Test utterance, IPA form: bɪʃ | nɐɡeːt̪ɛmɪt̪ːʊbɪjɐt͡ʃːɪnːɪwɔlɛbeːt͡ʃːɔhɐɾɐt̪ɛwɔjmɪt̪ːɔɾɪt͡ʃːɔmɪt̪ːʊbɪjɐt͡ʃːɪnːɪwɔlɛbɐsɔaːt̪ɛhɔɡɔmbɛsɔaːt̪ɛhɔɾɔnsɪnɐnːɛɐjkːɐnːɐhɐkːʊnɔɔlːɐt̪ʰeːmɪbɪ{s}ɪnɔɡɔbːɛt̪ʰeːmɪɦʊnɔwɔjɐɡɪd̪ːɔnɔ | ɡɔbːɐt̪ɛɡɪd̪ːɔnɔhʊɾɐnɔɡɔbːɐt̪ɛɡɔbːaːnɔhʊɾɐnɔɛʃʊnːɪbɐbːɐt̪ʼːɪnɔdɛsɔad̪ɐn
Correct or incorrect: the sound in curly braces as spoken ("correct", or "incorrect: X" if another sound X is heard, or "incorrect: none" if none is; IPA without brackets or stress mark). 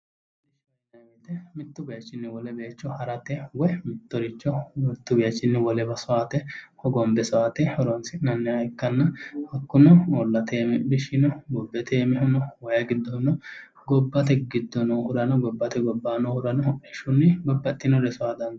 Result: incorrect: ʃ